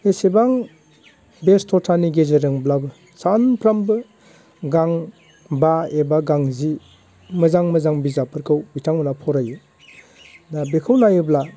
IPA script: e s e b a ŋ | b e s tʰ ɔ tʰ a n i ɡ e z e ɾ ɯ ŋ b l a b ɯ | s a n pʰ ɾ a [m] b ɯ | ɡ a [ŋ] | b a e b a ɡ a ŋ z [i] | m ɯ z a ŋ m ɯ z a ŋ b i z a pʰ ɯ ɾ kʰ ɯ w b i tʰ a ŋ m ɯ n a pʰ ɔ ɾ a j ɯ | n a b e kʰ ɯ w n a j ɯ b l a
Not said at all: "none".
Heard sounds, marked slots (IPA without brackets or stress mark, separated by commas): m, ŋ, i